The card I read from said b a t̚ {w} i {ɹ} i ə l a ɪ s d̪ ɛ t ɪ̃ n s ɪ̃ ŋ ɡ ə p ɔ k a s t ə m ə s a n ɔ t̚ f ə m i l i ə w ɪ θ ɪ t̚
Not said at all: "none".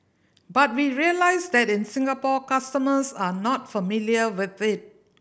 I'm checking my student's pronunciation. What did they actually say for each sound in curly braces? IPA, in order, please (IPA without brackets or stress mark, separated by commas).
w, ɹ